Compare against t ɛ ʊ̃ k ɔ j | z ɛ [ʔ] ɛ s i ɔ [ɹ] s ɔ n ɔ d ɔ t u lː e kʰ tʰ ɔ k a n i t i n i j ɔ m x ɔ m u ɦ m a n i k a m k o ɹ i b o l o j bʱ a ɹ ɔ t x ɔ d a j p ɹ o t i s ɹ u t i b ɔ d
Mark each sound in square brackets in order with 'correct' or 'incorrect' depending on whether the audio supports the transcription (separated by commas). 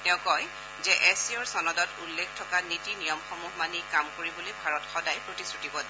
correct, correct